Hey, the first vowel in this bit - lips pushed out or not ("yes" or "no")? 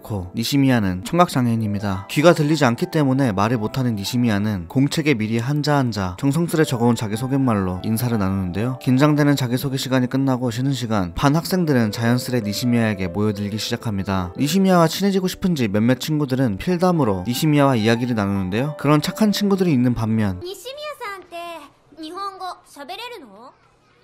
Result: yes